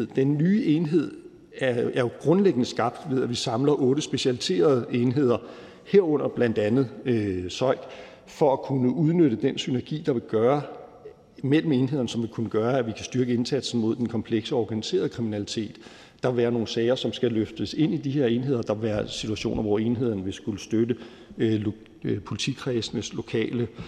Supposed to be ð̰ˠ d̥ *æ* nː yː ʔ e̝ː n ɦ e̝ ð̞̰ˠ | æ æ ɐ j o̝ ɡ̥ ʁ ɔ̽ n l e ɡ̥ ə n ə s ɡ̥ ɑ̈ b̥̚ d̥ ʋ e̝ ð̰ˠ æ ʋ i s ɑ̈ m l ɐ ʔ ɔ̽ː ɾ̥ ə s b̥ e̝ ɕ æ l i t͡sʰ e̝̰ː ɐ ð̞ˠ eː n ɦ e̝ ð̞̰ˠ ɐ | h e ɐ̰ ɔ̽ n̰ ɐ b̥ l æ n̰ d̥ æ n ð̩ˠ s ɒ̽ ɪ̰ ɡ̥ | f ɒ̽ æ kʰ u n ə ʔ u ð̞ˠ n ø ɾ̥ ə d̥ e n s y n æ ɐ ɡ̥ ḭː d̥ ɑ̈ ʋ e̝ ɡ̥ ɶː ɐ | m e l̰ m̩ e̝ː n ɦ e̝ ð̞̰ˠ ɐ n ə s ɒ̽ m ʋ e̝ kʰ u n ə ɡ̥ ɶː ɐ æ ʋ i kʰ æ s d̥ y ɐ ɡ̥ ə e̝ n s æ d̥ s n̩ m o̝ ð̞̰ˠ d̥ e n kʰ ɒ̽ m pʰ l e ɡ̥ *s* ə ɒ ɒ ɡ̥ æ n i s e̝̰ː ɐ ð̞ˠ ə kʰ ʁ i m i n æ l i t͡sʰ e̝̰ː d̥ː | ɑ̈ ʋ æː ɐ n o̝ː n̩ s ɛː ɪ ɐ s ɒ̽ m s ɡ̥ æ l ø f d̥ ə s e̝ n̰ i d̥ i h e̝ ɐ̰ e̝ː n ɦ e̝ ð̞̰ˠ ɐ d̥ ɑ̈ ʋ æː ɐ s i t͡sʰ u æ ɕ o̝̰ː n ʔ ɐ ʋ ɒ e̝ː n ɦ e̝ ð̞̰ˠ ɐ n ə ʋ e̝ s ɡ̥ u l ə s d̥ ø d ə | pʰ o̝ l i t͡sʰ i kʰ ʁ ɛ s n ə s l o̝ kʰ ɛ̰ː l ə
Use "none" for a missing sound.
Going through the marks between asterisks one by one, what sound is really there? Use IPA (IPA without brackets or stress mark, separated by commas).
e, s